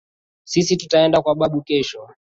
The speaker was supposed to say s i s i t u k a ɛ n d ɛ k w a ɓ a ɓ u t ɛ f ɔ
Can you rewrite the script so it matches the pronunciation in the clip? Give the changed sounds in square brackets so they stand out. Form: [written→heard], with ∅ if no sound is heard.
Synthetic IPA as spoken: s i s i t u [k→t] a ɛ n d [ɛ→a] k w a ɓ a ɓ u [t→k] ɛ [f→ʃ] ɔ